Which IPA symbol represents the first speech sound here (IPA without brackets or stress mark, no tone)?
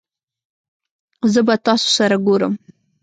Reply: z